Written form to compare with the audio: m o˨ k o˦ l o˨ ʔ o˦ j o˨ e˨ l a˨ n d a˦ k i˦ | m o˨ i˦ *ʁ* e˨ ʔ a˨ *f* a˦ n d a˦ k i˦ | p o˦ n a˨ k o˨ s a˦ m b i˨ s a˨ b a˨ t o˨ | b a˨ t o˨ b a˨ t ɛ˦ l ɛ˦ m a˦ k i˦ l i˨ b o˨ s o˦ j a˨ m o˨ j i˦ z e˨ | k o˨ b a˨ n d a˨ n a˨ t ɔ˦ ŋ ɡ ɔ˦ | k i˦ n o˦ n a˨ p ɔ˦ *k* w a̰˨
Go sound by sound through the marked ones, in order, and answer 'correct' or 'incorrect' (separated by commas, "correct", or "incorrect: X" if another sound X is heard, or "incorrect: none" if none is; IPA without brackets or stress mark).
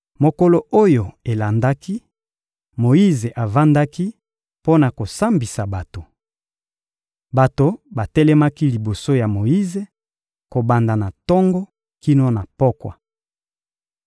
incorrect: z, incorrect: v, correct